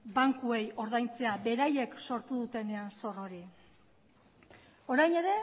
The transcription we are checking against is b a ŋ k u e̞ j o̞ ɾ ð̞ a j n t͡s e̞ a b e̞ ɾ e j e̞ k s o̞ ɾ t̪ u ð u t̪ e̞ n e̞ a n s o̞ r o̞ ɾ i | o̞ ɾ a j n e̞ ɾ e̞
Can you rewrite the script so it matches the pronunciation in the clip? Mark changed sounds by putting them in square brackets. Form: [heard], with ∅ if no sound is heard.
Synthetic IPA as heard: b a ŋ k u e̞ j o̞ ɾ ð̞ a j n t͡s e̞ a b e̞ ɾ [a] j e̞ k s o̞ ɾ t̪ u ð u t̪ e̞ n e̞ a n s o̞ r o̞ ɾ i | o̞ ɾ a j n e̞ ɾ e̞